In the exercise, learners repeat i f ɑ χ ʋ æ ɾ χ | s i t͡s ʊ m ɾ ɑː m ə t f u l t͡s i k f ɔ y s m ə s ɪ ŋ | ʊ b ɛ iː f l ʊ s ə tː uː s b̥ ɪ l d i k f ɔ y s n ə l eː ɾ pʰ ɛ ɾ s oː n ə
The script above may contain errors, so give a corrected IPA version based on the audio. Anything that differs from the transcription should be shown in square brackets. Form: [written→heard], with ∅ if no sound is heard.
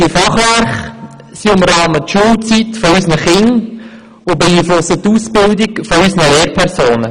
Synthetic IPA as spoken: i f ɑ χ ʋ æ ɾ χ | s i [t͡s→∅] ʊ m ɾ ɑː m ə t [f→ʃ] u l t͡s i [k→t] f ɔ y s [m→n] ə [s→χ] ɪ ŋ | ʊ b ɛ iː f l ʊ s ə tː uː s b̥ ɪ l d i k f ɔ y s n ə l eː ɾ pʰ ɛ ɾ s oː n ə